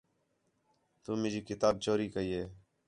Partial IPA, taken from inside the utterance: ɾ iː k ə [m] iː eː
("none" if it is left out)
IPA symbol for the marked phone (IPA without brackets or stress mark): none